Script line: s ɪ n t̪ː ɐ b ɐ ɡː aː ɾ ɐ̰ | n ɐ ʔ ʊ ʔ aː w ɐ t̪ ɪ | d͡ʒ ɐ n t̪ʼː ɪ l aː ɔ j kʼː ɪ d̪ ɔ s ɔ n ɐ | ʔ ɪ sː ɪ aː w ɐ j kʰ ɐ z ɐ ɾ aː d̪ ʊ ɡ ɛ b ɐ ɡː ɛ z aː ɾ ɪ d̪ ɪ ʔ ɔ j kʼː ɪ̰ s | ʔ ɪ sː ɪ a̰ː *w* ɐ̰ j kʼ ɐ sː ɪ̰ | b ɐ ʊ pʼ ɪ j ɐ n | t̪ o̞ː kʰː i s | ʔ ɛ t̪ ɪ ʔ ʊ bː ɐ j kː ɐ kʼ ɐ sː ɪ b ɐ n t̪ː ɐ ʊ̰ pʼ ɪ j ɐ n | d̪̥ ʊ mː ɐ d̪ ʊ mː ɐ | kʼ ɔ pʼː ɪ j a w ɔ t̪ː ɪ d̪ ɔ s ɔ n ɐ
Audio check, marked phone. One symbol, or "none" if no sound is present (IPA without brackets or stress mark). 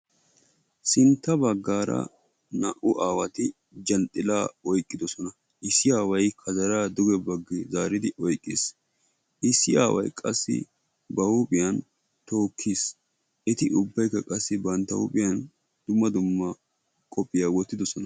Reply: w